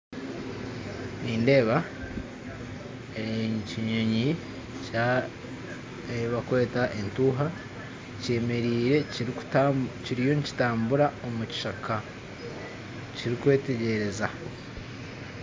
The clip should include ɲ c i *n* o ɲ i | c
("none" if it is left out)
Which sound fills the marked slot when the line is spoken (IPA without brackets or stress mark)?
ɲ